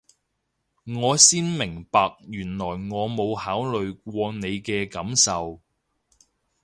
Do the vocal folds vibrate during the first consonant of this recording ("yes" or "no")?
yes